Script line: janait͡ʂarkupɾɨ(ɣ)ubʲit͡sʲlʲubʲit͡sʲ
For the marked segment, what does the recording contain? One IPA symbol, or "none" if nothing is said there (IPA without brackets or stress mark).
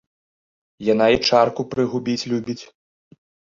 ɣ